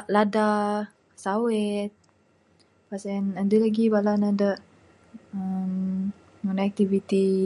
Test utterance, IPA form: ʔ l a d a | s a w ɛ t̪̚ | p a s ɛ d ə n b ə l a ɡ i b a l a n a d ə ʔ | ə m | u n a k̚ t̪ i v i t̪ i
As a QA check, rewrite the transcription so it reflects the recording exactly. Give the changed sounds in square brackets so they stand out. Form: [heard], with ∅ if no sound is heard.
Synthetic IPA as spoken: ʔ l a d a | s a w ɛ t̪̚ | p a s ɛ [n] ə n [d] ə l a ɡ i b a l a n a d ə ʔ | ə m | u n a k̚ t̪ i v i t̪ i